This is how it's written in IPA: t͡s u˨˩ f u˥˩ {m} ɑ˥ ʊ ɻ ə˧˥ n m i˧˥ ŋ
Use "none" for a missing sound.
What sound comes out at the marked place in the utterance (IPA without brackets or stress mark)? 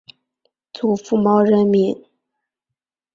m